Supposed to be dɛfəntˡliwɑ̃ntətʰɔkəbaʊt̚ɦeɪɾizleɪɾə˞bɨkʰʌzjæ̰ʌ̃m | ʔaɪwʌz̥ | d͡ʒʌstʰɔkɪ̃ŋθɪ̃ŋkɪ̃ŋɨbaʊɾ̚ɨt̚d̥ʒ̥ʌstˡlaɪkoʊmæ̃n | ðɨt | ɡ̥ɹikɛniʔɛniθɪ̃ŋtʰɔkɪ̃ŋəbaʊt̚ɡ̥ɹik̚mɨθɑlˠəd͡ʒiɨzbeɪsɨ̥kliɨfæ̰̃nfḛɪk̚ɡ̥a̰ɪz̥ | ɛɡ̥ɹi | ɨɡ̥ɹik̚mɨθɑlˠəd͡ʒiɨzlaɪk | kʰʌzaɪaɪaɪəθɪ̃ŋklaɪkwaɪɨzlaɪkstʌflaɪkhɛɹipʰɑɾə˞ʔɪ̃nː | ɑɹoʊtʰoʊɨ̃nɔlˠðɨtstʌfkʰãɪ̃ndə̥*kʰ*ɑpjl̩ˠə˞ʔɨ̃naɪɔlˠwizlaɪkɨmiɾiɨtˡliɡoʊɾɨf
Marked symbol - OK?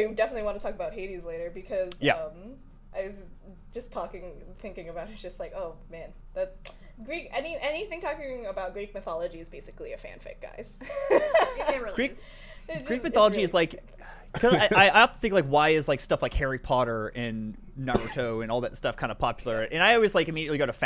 no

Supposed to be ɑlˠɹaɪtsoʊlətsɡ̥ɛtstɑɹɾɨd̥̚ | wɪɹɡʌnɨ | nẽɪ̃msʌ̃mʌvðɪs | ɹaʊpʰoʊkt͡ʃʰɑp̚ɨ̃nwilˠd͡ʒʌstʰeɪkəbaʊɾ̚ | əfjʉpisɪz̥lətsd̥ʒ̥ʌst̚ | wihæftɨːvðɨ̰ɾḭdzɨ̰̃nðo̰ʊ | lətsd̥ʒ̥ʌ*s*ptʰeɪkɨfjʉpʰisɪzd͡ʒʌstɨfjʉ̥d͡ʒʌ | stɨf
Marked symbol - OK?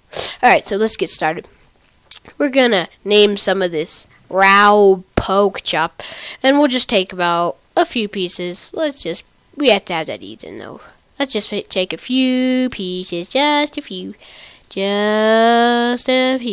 yes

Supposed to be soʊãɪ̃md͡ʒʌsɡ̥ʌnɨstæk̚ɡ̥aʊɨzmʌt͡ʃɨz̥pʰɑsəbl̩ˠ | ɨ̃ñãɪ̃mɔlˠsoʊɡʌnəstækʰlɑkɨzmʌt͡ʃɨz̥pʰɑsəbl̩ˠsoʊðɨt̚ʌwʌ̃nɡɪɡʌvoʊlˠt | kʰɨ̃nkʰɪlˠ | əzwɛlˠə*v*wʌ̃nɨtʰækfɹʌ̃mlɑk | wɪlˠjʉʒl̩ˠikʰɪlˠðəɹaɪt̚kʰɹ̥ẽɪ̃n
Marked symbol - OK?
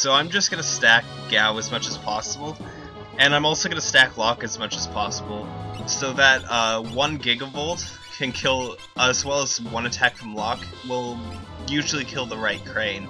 no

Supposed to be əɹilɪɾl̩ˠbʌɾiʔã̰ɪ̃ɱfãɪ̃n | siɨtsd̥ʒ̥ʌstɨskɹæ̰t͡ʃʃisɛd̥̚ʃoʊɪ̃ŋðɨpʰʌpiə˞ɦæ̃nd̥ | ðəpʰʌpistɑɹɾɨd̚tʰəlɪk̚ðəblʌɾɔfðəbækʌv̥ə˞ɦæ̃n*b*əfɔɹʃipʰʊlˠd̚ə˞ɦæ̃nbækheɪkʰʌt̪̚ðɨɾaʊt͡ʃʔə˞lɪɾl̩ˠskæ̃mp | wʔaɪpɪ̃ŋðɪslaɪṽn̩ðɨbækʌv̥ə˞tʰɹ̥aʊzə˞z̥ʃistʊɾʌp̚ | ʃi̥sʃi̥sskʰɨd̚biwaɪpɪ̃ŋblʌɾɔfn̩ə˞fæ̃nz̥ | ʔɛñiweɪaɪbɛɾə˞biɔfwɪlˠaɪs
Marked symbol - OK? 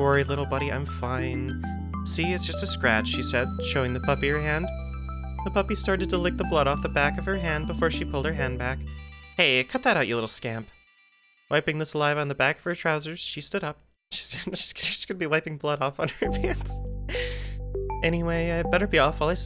yes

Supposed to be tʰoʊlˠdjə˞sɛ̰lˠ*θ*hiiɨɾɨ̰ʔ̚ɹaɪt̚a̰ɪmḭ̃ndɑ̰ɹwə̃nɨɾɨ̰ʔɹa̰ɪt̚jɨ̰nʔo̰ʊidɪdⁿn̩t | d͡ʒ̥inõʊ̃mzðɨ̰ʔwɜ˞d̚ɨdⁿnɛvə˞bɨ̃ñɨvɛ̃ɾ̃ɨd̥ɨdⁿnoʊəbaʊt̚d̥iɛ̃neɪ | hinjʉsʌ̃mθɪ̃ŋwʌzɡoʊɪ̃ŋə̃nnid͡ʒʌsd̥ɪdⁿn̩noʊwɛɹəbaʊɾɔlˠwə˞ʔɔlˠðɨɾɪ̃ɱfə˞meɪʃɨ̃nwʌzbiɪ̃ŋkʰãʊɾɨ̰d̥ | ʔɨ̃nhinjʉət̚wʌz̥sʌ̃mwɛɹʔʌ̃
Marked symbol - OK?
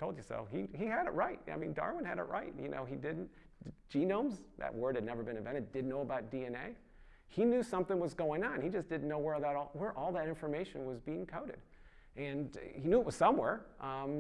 no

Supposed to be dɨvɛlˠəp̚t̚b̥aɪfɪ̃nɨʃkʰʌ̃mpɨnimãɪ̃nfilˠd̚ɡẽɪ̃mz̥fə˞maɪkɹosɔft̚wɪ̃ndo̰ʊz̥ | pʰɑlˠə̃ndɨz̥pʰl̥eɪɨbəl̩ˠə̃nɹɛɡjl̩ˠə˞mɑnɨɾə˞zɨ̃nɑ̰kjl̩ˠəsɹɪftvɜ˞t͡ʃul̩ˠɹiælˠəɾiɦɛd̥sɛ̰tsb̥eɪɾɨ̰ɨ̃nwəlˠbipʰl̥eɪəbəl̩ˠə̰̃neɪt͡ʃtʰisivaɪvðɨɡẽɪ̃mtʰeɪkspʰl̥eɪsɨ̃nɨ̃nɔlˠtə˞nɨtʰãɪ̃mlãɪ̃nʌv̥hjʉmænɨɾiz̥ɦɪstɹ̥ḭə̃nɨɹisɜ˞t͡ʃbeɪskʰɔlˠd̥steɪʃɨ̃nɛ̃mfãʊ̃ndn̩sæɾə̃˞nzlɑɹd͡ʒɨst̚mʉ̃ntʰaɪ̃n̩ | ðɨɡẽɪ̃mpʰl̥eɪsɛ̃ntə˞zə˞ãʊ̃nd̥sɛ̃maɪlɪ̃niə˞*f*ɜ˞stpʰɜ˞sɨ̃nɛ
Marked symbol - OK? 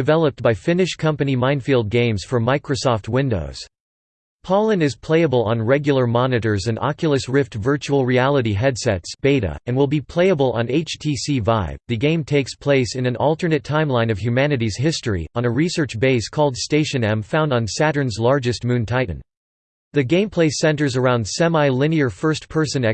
yes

